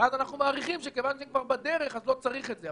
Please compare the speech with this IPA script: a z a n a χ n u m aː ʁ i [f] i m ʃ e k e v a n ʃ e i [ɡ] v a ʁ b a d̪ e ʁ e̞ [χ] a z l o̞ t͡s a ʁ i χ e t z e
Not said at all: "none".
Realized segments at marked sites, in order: χ, k, χ

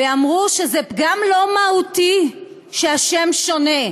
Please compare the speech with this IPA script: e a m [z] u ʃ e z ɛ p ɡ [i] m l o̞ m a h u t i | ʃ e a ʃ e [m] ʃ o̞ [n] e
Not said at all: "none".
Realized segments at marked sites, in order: ʁ, a, m, n

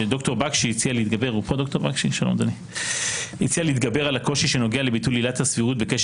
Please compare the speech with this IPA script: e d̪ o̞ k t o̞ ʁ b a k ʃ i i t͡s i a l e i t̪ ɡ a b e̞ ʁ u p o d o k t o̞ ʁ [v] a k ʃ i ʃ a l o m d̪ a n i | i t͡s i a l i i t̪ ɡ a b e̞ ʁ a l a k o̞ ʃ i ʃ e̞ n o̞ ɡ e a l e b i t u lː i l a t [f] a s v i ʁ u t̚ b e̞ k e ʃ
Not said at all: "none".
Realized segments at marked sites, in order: b, h

